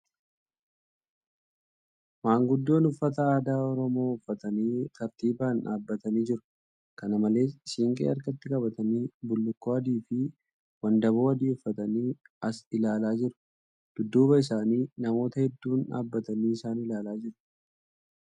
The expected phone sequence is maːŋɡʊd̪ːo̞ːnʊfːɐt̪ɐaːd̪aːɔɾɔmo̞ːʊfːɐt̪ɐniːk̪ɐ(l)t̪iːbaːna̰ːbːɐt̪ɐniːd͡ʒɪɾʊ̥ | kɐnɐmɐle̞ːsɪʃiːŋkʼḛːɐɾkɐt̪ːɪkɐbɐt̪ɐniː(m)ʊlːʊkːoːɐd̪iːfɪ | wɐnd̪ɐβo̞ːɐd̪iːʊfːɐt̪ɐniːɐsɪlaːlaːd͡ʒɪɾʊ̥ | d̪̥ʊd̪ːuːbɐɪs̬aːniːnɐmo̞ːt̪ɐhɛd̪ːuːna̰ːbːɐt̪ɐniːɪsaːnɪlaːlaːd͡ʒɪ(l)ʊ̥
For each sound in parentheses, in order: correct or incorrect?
incorrect, incorrect, incorrect

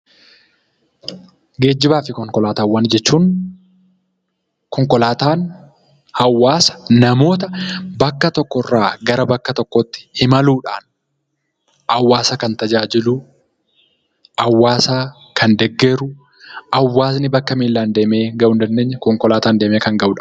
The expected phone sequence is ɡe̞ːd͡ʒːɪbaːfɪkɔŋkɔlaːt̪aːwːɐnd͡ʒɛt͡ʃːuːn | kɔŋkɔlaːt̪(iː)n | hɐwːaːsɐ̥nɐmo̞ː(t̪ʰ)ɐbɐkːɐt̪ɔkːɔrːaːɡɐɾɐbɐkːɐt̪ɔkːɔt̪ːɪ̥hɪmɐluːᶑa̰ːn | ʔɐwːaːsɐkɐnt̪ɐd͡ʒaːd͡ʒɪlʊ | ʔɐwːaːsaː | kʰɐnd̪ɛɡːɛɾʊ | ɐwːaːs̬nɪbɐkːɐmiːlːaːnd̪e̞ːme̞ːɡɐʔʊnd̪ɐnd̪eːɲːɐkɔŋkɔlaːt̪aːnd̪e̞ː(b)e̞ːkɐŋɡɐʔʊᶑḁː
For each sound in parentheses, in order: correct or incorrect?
incorrect, incorrect, incorrect

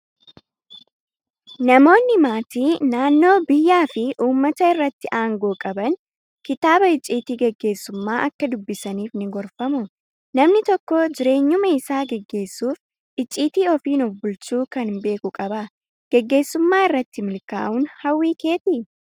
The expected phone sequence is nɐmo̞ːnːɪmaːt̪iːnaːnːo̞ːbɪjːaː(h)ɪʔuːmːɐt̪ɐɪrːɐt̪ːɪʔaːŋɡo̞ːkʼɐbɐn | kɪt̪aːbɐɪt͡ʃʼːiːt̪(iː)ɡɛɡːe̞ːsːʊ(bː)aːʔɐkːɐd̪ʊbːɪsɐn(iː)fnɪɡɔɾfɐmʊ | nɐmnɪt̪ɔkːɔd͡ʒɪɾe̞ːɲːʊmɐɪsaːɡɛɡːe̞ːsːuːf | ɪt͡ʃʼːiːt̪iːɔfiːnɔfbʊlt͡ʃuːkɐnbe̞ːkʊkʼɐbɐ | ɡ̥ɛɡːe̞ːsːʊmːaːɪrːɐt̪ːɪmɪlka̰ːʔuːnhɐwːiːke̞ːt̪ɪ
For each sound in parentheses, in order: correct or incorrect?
incorrect, correct, incorrect, correct

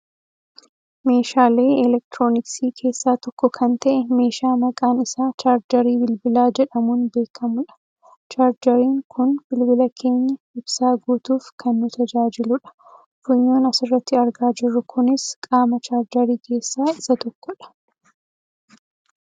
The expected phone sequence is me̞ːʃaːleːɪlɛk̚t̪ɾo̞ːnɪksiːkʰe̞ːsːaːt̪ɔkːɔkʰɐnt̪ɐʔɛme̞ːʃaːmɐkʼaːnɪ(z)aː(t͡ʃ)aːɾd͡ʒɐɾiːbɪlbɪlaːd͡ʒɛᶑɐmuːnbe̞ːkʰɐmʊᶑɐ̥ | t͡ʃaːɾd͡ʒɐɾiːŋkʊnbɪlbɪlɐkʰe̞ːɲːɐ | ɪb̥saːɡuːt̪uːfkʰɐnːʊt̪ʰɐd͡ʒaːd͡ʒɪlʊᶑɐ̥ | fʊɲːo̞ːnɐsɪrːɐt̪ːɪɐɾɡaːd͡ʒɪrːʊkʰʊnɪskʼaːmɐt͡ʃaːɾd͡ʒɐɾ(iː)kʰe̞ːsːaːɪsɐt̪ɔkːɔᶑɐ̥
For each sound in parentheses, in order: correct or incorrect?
incorrect, correct, correct

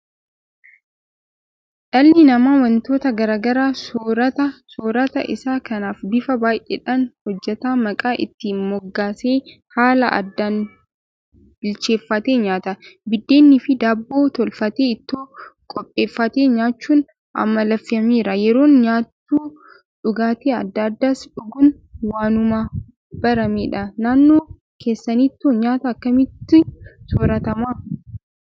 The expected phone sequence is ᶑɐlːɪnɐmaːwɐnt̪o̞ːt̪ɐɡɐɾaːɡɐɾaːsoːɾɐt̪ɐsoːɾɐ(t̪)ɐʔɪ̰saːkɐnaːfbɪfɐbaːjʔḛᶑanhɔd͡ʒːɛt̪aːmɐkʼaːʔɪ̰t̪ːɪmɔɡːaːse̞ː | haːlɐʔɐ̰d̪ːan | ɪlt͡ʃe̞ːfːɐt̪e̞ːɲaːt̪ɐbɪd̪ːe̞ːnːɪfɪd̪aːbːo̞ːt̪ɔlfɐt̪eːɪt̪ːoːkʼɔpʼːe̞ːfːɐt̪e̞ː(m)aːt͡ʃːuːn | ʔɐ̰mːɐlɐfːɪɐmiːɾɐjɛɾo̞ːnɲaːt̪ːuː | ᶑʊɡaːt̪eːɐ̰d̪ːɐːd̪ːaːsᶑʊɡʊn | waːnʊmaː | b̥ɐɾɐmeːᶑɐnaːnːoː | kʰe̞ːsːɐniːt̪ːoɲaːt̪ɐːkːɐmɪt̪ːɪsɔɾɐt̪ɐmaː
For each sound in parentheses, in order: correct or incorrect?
correct, incorrect

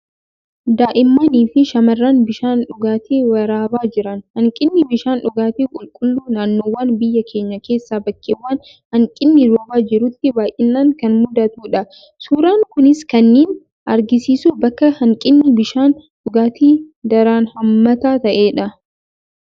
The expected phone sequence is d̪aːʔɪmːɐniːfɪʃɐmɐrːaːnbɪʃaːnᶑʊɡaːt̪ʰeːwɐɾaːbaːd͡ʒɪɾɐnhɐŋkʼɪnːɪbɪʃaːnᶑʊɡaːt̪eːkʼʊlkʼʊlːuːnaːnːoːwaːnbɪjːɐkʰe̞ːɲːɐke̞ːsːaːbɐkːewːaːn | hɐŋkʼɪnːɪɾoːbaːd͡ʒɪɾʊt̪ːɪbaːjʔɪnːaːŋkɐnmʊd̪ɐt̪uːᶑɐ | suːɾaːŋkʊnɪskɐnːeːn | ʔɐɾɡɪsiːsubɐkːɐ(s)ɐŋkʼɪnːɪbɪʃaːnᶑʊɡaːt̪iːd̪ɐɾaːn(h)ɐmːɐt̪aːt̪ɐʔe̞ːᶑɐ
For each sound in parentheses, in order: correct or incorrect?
incorrect, correct

